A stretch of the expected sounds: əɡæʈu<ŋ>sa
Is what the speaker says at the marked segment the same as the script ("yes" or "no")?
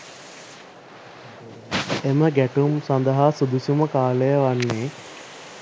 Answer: no